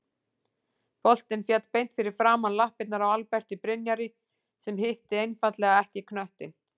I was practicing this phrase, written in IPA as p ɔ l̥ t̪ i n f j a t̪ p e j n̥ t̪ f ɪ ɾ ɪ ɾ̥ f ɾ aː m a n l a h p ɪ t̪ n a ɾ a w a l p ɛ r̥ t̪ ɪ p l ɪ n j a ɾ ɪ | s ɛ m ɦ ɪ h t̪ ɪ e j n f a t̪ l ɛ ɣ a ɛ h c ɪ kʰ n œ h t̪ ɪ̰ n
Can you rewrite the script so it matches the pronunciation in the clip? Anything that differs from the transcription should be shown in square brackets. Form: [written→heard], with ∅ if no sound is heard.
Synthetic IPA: p ɔ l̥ t̪ [i→ɪ] n f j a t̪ p e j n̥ t̪ f ɪ ɾ ɪ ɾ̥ f ɾ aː m a n l a h p ɪ t̪ n a ɾ a w a l p ɛ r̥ t̪ ɪ p [l→ɾ] ɪ n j a ɾ ɪ | s ɛ m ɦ ɪ h t̪ ɪ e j n f a t̪ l ɛ ɣ a ɛ h c ɪ kʰ n œ h t̪ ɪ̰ n